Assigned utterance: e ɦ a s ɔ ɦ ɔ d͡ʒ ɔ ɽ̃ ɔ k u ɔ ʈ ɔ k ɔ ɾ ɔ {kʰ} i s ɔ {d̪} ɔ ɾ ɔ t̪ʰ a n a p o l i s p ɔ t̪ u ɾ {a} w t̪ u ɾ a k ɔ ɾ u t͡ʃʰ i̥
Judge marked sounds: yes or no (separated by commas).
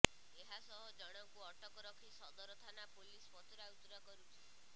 yes, yes, yes